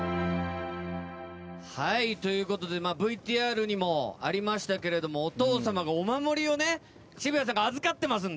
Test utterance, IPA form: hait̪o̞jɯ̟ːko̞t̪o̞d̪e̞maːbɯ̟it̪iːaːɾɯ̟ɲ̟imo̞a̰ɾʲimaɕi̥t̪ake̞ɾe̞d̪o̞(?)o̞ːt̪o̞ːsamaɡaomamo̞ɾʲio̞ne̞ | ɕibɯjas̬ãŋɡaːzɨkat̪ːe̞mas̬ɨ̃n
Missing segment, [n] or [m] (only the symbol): m